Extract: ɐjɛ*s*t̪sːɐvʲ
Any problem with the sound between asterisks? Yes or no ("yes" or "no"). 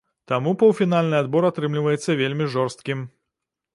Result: yes